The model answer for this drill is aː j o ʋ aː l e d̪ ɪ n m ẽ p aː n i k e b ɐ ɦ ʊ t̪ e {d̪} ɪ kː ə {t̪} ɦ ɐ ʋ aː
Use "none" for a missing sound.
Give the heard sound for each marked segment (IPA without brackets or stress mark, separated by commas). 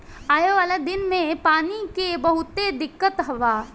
d̪, t̪